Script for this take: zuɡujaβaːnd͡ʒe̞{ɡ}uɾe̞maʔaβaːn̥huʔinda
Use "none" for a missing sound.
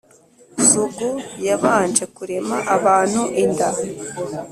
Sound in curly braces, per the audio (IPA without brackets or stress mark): k